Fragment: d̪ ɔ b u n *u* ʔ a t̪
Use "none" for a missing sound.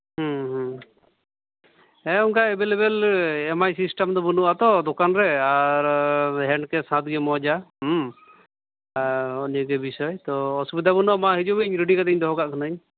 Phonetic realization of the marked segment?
u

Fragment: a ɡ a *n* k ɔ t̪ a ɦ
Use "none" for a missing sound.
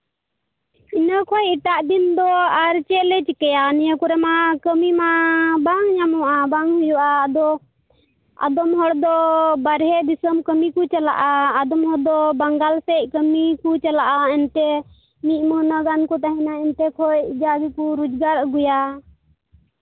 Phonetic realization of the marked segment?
n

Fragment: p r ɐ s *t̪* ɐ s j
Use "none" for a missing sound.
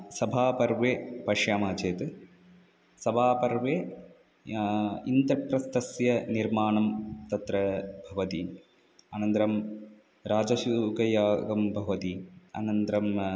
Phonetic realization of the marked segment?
t̪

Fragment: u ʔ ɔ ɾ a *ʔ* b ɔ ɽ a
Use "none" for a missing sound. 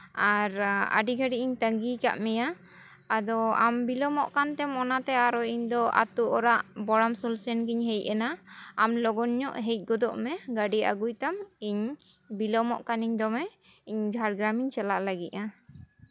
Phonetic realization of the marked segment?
ʔ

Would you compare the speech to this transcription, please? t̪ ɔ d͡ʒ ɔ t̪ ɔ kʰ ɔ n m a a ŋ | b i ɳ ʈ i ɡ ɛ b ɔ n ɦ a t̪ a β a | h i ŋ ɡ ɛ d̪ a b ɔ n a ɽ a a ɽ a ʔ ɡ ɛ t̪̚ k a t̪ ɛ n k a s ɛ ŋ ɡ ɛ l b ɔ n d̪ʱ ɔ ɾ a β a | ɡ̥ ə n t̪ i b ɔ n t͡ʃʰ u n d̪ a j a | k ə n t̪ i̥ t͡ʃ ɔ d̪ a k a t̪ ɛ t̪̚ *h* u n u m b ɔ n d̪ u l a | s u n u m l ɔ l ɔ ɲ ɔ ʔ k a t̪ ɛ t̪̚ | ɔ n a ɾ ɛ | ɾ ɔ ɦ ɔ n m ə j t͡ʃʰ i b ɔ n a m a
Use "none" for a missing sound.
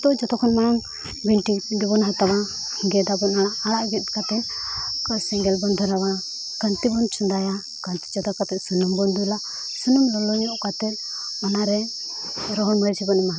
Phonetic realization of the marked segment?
s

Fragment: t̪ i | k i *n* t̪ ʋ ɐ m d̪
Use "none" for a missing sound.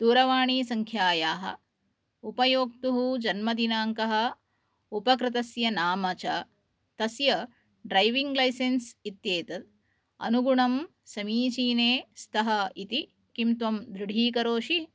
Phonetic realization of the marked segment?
m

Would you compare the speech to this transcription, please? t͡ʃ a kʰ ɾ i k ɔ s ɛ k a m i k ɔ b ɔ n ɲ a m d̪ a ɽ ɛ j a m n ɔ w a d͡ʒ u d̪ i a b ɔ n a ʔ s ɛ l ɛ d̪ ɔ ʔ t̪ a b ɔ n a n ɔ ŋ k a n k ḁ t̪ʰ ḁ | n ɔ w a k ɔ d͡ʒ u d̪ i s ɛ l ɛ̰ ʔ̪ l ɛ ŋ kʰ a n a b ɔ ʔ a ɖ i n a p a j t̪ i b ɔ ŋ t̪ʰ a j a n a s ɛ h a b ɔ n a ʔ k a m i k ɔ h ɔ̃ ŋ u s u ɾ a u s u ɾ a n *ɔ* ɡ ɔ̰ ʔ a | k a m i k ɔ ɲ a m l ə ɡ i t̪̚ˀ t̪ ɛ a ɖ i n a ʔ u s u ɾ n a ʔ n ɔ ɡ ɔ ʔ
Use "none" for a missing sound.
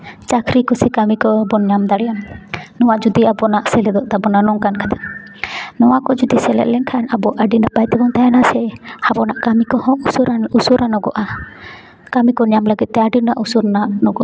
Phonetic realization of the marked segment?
ɔ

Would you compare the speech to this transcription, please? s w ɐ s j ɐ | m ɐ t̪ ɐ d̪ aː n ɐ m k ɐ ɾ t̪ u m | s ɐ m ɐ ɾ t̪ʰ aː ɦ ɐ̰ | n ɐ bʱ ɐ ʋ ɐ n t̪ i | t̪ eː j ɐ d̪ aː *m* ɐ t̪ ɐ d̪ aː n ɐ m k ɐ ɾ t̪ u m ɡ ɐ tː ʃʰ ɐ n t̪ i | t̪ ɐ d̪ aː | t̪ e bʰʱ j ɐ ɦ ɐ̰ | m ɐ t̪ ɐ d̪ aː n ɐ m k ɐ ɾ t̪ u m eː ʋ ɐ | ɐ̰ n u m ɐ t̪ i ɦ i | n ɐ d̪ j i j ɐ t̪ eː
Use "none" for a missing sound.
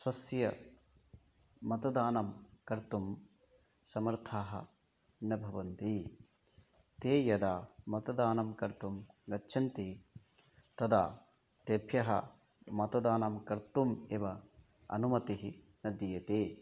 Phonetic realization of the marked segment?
m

